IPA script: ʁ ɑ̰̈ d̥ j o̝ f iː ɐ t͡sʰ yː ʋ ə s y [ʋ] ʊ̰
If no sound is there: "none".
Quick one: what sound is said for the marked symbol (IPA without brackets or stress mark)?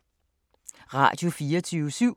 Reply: none